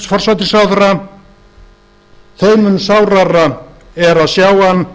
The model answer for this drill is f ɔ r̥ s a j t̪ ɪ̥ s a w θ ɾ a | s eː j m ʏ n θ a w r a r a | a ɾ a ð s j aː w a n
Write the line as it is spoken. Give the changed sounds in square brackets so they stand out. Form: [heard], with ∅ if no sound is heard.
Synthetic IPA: f ɔ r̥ s a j t̪ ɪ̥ s a w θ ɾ a | [θ] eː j m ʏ n [s] a w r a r a | [ɛ] ɾ a ð s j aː w a n

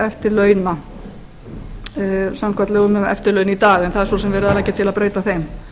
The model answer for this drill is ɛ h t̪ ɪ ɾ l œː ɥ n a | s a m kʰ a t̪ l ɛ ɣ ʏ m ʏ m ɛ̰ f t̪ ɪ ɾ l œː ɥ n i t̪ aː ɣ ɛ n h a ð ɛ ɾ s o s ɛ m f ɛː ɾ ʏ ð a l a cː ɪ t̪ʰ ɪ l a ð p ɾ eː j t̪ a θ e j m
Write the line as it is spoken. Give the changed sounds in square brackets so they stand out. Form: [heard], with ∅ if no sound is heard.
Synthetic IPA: ɛ [f] t̪ ɪ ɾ l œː ɥ n a | s a m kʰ a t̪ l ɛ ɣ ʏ m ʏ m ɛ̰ f t̪ ɪ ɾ l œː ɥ n i t̪ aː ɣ ɛ n [θ] a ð ɛ ɾ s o s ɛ m [v] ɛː ɾ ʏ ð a l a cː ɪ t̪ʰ ɪ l a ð p ɾ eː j t̪ a θ e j m

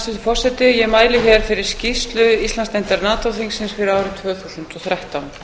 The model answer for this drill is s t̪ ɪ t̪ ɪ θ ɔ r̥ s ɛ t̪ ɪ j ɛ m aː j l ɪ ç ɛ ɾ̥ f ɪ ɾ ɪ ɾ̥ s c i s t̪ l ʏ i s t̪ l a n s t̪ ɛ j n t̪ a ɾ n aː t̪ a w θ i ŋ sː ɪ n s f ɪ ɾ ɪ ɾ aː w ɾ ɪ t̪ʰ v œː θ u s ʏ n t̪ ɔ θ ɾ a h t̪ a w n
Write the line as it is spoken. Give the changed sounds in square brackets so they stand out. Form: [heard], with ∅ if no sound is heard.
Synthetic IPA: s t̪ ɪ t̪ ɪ [f] ɔ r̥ s ɛ t̪ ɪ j ɛ m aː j l ɪ ç ɛ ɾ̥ f ɪ ɾ ɪ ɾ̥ s c i s t̪ l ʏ i s t̪ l a n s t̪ ɛ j n t̪ a ɾ n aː t̪ a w θ i ŋ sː ɪ n s f ɪ ɾ ɪ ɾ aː w ɾ ɪ t̪ʰ v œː θ u s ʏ n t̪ ɔ θ ɾ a h t̪ a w n

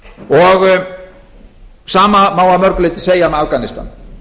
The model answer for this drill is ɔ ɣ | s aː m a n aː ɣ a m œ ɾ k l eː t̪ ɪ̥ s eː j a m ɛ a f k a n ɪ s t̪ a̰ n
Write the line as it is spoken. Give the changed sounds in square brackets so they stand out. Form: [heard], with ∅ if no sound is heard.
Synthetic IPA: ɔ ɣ | s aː m a [m] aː [w] a m œ ɾ k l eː t̪ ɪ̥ s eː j a m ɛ a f k a n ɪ s t̪ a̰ n

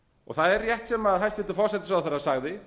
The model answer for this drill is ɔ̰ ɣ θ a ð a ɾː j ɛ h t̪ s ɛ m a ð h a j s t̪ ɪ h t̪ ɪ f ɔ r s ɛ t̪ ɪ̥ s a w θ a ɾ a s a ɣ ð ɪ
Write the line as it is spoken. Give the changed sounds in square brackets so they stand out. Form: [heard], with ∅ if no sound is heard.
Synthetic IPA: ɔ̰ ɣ θ a ð [ɛ] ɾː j ɛ h t̪ s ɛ m a ð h a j s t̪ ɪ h t̪ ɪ f ɔ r s ɛ t̪ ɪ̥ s a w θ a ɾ a s a ɣ ð ɪ

